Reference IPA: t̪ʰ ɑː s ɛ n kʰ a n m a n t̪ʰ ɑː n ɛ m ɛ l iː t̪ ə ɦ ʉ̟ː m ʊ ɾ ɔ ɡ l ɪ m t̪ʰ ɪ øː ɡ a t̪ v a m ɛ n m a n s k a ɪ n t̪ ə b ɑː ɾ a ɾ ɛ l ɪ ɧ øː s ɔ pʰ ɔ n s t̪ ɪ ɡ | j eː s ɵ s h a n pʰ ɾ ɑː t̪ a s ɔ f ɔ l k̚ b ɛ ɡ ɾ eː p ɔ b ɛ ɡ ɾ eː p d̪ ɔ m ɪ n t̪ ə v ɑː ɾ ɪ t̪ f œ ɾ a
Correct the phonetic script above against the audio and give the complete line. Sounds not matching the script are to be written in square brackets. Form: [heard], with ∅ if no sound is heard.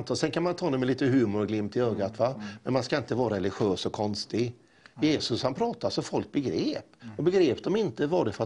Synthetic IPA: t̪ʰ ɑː s ɛ n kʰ a n m a n t̪ʰ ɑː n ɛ m ɛ l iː t̪ ə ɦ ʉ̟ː m ʊ ɾ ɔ ɡ l ɪ m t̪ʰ ɪ øː ɡ a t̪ v a m ɛ n m a n s k a ɪ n t̪ ə [v] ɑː ɾ a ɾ ɛ l ɪ ɧ øː s ɔ [kʰ] ɔ n s t̪ ɪ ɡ | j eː s ɵ s h a n pʰ ɾ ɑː t̪ a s ɔ f ɔ l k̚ b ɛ ɡ ɾ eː p ɔ b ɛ ɡ ɾ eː p d̪ ɔ m ɪ n t̪ ə v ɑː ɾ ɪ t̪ f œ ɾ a